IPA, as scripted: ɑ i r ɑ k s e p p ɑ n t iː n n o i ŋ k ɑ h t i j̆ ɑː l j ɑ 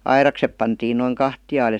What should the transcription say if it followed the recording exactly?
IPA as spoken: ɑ i r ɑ k s e p p ɑ n t iː n n o i ŋ k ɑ h t i j̆ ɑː l j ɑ